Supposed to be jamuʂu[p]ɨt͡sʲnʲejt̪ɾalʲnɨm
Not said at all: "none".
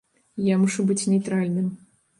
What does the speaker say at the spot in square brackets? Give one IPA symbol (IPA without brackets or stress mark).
b